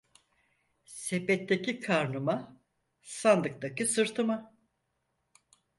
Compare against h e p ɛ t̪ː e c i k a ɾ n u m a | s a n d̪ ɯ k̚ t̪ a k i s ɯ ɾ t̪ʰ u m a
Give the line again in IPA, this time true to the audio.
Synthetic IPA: s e p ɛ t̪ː e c i kʰ a ɾ n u m a | s a n d̪ ɯ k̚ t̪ a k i s ɯ ɾ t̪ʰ ɯ m a